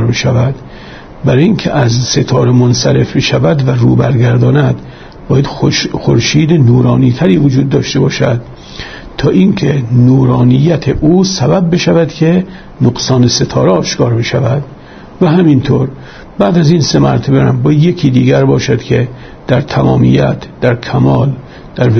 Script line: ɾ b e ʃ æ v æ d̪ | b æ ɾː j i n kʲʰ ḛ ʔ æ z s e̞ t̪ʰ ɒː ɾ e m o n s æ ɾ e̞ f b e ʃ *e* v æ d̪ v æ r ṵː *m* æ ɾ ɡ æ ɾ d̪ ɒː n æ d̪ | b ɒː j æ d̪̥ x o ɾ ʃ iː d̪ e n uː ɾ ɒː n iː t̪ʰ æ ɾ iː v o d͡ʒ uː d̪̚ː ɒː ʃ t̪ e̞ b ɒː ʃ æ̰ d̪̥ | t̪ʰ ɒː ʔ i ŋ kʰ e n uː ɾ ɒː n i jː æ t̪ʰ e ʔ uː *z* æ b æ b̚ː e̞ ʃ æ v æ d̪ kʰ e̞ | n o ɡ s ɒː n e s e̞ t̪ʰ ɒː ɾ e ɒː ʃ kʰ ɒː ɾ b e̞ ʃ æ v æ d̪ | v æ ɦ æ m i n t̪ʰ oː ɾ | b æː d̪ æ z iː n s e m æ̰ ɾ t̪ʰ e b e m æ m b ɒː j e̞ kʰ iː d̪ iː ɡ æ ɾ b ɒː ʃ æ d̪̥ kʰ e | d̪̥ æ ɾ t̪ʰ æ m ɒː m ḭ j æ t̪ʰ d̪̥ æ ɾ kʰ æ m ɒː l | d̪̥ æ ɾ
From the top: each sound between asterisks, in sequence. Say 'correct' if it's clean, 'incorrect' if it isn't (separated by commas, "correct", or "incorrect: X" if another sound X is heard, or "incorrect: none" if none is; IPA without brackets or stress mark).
incorrect: æ, incorrect: b, incorrect: s